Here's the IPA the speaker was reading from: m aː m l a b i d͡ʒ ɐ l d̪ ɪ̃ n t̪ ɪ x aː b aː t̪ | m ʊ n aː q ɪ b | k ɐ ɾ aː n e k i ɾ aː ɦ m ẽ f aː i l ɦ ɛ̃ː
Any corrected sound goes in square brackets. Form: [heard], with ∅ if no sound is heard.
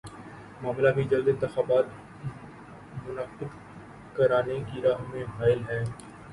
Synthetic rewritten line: m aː m l a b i d͡ʒ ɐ l d̪ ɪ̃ n t̪ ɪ x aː b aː t̪ | m ʊ n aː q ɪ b | k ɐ ɾ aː n e k i ɾ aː ɦ m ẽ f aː [ɪ] l ɦ [ɛː]